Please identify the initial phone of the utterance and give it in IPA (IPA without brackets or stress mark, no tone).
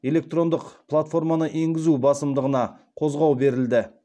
e̞